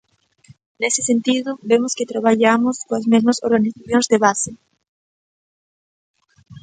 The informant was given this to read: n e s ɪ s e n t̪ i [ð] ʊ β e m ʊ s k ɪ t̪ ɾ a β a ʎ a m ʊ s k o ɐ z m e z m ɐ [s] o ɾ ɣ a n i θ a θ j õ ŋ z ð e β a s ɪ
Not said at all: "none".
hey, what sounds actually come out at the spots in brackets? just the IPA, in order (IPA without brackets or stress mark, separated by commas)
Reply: ð, s